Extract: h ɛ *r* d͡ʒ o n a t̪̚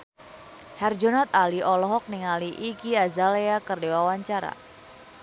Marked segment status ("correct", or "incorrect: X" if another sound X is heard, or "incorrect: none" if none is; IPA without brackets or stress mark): correct